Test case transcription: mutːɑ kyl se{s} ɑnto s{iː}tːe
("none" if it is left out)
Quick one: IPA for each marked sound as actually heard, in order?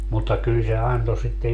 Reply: none, i

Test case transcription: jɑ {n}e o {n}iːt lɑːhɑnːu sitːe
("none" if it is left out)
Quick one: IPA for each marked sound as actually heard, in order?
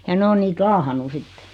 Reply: n, n

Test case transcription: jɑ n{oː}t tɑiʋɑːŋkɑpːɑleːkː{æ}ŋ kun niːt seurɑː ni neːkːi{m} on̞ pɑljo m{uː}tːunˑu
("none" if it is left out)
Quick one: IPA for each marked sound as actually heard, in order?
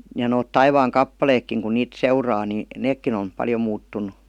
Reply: oː, i, n, uː

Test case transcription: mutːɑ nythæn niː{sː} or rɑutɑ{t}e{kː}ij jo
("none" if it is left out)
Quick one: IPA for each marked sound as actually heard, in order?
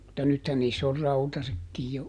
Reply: sː, s, kː

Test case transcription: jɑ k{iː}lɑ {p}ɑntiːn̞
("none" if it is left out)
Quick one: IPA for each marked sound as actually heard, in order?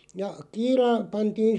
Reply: iː, p

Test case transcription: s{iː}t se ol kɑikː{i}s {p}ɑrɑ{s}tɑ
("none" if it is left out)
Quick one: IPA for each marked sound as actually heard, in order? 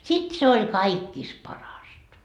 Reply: i, i, p, s

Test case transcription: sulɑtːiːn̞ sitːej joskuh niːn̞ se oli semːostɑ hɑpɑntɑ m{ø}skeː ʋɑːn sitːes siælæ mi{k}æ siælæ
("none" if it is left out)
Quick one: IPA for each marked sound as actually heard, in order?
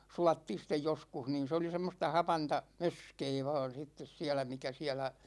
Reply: ø, k

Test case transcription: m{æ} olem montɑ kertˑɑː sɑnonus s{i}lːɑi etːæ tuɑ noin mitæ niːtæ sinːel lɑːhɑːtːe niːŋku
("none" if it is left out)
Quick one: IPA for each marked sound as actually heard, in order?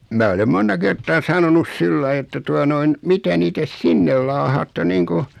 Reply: æː, i

